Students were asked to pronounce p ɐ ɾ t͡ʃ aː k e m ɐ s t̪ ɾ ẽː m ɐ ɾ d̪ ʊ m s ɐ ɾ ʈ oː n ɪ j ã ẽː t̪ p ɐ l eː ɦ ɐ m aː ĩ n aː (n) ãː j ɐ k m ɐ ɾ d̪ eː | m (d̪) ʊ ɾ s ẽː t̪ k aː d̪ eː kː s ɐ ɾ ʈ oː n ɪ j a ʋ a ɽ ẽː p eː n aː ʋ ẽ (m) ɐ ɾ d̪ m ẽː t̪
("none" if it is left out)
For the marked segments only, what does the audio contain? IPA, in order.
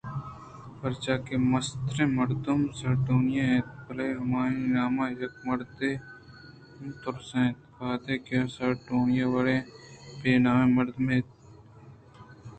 m, t̪, m

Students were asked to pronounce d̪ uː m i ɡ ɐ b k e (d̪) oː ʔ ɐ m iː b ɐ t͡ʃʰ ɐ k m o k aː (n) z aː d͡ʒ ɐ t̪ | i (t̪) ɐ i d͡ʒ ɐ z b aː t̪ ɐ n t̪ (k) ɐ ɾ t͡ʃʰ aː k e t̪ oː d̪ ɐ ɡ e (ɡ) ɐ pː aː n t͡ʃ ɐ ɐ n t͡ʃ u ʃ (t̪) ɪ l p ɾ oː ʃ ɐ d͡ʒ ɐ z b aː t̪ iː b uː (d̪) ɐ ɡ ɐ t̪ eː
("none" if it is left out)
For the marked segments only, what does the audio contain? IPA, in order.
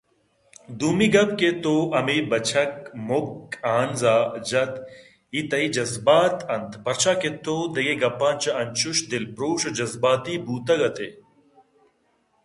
t̪, n, t̪, p, ɡ, d̪, t̪

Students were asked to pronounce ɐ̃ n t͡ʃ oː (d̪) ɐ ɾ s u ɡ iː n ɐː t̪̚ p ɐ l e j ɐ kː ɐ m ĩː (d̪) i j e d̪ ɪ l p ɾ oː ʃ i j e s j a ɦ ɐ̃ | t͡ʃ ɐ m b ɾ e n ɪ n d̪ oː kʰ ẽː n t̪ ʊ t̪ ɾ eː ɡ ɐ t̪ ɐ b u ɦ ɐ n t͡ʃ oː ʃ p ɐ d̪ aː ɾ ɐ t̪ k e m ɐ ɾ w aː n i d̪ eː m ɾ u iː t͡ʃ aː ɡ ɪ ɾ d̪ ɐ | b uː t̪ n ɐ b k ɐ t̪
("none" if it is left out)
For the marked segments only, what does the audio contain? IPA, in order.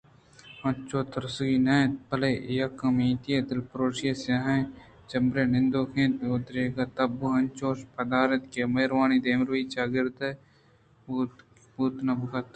t̪, t̪

